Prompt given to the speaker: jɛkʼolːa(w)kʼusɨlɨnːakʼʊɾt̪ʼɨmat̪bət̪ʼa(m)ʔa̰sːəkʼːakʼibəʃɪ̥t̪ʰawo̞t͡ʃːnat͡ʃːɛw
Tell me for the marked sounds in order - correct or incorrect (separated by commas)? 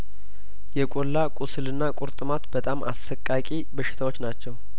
incorrect, correct